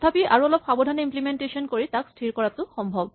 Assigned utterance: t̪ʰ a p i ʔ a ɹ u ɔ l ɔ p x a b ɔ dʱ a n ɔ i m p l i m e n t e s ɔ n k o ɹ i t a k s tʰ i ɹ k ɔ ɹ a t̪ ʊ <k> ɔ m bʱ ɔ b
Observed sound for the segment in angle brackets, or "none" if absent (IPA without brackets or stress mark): x